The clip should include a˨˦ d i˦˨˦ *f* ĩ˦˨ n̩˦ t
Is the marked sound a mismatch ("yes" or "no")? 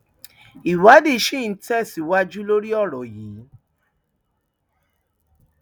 yes